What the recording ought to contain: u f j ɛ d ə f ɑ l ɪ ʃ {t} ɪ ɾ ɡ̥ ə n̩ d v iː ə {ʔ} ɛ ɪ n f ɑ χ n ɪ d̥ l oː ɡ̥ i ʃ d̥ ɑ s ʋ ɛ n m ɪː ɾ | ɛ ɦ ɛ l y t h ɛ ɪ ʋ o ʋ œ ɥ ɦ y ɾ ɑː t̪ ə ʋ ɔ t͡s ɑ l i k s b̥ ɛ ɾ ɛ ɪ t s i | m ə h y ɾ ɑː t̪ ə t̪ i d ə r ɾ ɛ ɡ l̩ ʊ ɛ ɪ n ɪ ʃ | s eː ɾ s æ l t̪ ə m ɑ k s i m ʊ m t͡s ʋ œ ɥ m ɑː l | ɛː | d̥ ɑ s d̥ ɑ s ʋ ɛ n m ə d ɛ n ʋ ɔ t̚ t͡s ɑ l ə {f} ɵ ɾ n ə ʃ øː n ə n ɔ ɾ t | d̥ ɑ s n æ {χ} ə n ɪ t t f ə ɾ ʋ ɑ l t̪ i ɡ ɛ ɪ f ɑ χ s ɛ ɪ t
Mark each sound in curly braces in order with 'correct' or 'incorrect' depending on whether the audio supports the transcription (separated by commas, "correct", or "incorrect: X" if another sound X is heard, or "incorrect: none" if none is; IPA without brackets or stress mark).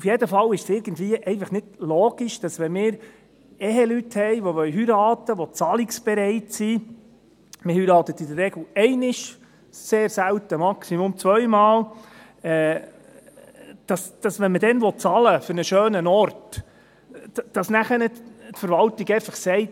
incorrect: s, correct, correct, correct